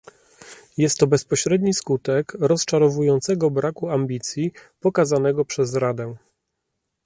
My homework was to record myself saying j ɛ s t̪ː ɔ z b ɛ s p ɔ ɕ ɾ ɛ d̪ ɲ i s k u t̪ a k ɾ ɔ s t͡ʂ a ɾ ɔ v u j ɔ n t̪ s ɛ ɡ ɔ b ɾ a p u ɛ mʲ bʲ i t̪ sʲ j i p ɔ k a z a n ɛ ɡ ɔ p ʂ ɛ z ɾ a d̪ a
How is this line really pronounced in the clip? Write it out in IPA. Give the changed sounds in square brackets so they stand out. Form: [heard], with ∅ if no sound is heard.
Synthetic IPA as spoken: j ɛ s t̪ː ɔ [∅] b ɛ s p ɔ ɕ ɾ ɛ d̪ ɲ i s k u t̪ [ɛ] k ɾ ɔ s t͡ʂ a ɾ ɔ v u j ɔ n t̪ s ɛ ɡ ɔ b ɾ a [k] u [a] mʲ bʲ i t̪ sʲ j i p ɔ k a z a n ɛ ɡ ɔ p ʂ ɛ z ɾ a d̪ [ɛ]